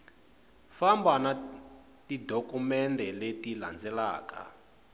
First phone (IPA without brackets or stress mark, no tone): f